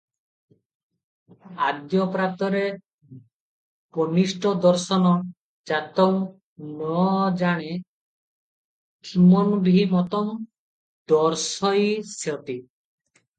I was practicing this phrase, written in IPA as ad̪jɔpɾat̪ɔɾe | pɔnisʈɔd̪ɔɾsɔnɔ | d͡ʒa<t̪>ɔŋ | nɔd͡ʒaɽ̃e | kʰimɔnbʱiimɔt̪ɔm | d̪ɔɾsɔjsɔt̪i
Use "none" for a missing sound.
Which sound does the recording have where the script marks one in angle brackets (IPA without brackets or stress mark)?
t̪